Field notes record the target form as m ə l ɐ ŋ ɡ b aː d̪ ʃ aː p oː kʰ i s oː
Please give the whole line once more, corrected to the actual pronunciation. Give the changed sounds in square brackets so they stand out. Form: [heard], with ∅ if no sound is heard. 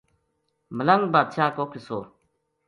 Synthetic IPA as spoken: m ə l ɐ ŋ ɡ b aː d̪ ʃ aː [k] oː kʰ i s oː